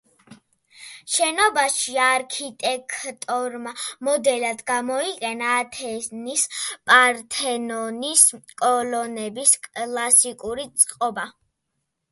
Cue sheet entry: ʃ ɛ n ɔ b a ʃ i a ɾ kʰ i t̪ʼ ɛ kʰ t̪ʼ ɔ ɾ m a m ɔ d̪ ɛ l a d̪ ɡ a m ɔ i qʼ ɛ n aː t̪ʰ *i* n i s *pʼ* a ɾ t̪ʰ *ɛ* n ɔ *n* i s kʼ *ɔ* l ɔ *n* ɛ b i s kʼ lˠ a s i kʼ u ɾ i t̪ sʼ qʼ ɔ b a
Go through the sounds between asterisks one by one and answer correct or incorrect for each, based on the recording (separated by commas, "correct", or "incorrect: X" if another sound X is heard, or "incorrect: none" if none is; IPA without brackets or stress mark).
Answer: incorrect: ɛ, correct, correct, correct, correct, correct